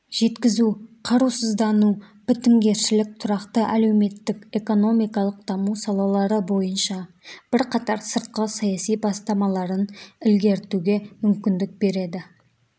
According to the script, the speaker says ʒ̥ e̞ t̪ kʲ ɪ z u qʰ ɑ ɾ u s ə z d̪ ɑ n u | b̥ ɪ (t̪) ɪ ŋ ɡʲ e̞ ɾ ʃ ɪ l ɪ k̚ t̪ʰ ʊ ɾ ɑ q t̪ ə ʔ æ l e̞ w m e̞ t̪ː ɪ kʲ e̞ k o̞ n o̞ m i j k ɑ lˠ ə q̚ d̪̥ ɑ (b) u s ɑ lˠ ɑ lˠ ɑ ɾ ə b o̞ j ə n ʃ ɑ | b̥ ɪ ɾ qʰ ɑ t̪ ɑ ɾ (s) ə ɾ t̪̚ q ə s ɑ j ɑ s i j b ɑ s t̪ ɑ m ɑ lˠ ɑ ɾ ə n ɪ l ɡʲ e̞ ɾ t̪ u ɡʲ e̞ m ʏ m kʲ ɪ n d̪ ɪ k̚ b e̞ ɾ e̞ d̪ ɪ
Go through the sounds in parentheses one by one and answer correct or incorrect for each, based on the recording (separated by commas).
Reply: correct, incorrect, correct